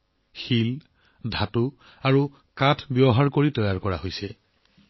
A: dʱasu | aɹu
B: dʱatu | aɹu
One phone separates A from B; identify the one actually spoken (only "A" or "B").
B